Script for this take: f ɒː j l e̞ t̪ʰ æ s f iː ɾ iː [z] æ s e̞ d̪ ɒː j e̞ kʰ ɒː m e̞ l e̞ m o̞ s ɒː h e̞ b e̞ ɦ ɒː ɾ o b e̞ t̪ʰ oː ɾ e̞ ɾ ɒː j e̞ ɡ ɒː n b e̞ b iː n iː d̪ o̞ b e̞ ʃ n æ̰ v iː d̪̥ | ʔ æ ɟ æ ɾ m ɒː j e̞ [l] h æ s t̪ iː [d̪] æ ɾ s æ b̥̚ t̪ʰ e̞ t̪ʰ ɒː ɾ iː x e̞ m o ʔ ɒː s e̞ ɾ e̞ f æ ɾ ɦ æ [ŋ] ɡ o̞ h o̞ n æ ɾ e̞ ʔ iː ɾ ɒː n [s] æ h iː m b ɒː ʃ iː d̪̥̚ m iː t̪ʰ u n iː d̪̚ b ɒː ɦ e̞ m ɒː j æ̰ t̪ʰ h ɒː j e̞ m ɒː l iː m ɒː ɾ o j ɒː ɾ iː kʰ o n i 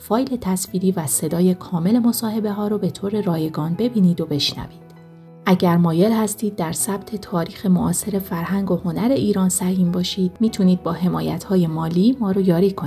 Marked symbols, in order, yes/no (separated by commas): no, yes, no, yes, yes